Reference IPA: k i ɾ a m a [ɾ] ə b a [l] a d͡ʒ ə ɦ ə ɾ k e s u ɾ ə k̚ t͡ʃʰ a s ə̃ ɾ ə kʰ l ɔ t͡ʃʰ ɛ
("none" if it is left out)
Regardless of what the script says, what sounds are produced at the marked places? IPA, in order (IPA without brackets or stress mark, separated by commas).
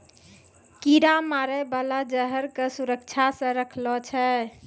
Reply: ɾ, l